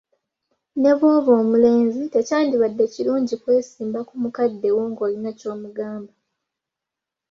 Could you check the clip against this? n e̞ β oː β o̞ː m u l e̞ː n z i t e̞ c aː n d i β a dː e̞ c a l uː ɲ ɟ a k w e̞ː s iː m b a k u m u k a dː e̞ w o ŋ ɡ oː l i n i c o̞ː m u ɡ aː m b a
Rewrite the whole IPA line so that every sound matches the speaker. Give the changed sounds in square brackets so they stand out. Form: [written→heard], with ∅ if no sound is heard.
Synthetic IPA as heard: n e̞ β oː β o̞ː m u l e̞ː n z i t e̞ c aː n d i β a dː e̞ c [a→i] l uː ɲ ɟ [a→i] k w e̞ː s iː m b a k u m u k a dː e̞ w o ŋ ɡ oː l i n [i→a] c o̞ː m u ɡ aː m b a